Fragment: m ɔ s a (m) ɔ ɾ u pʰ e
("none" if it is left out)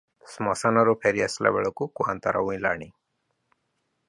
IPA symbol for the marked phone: n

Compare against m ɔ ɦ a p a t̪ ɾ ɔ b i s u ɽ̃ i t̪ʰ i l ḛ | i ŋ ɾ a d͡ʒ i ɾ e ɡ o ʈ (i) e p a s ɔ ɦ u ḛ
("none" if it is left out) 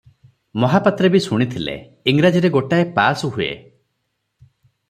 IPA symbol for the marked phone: a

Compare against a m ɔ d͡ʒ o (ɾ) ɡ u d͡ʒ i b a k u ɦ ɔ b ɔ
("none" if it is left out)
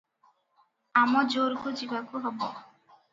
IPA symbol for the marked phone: ɾ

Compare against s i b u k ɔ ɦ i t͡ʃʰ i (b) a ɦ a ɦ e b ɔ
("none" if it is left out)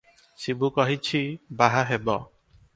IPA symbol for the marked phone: b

